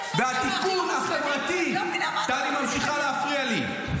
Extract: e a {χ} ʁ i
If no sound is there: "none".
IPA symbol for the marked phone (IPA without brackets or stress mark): f